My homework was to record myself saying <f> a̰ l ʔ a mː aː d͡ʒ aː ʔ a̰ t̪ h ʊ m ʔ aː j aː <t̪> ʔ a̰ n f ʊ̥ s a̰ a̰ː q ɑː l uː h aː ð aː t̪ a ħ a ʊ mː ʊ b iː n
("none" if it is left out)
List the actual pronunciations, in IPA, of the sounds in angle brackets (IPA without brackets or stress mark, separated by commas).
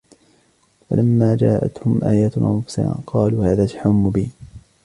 f, t̪